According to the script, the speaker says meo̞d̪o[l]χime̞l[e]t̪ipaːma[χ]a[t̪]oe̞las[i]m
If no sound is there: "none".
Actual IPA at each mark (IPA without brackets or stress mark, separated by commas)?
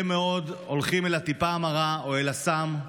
l, a, ʁ, none, a